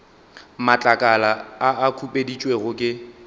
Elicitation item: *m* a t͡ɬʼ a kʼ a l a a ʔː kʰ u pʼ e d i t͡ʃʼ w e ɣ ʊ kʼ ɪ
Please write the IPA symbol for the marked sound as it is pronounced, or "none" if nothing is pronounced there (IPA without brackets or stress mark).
m